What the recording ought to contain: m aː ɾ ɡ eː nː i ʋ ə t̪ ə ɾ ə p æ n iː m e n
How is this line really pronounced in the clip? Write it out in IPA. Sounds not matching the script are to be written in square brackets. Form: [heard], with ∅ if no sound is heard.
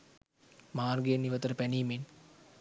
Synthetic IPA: m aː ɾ ɡ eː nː i ʋ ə t̪ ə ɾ ə p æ n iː m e n